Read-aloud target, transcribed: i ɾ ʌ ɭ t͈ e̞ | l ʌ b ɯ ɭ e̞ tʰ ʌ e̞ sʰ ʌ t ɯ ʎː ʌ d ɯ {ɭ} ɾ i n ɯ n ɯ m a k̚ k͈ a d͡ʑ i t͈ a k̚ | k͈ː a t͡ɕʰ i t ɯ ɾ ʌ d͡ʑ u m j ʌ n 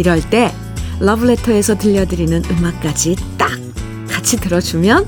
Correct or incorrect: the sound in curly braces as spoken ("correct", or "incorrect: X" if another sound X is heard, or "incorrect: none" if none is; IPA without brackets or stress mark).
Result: incorrect: none